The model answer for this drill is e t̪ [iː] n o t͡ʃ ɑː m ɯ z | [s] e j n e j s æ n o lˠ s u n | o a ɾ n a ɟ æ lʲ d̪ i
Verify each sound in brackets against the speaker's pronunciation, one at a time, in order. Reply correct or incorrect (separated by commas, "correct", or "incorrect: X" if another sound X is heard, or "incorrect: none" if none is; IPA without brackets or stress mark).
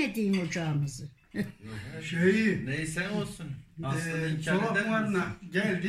correct, incorrect: ʃ